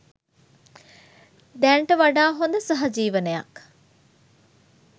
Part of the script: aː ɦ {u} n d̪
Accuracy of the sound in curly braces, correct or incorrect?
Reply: incorrect